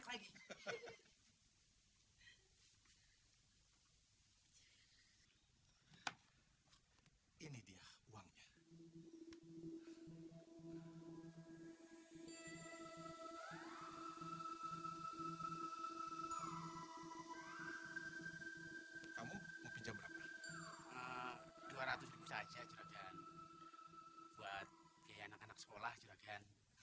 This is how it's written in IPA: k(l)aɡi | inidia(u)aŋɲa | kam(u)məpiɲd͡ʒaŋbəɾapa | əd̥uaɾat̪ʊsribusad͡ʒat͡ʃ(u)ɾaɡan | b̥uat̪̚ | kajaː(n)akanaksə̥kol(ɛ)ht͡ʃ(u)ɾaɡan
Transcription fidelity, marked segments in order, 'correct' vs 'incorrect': correct, correct, correct, correct, correct, incorrect: a, correct

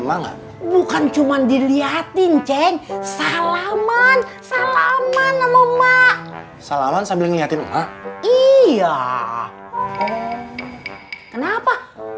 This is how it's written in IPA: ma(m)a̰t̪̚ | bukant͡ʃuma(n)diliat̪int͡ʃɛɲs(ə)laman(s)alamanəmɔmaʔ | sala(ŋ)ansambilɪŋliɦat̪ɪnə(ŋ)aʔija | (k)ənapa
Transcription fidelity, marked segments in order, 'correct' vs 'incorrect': incorrect: ŋ, correct, incorrect: a, correct, incorrect: m, incorrect: m, correct

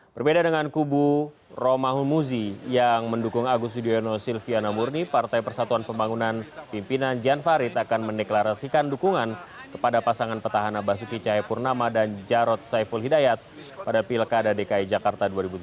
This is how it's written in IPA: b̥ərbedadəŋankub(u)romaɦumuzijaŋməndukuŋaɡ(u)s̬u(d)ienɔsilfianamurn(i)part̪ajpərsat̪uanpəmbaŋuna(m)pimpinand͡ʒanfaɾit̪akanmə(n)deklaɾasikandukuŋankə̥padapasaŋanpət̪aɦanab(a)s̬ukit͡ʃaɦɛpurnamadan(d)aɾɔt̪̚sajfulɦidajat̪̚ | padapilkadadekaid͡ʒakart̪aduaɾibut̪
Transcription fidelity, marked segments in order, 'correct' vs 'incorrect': correct, correct, correct, correct, incorrect: n, correct, correct, incorrect: d͡ʒ

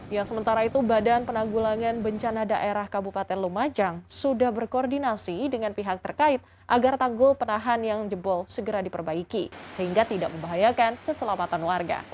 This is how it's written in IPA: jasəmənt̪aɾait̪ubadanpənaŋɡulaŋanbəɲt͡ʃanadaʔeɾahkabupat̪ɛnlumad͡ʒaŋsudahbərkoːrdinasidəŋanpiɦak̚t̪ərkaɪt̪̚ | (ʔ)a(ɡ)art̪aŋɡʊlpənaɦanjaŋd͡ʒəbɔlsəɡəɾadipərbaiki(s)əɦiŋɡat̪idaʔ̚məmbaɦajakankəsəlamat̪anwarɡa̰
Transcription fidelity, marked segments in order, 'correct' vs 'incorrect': correct, correct, correct

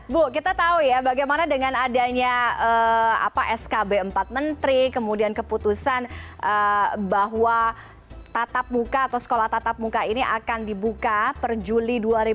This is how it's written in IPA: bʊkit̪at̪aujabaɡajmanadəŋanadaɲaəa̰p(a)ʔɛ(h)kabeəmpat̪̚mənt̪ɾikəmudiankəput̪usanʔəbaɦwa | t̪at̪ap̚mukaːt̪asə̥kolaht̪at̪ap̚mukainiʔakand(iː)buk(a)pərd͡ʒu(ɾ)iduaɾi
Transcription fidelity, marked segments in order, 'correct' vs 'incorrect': correct, incorrect: s, incorrect: i, correct, incorrect: l

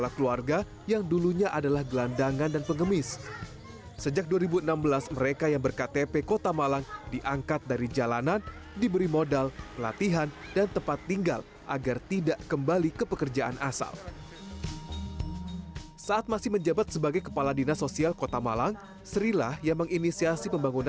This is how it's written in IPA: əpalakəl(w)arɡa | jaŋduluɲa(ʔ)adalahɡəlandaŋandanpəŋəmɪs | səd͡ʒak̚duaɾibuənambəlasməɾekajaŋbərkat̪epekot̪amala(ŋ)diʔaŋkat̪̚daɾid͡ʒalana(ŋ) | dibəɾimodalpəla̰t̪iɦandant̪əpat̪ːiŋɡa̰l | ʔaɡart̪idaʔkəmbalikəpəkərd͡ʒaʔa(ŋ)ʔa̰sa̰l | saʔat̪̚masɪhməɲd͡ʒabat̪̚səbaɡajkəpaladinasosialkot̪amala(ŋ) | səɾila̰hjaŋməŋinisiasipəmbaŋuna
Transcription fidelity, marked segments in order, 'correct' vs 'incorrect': incorrect: u, correct, correct, incorrect: n, incorrect: n, correct

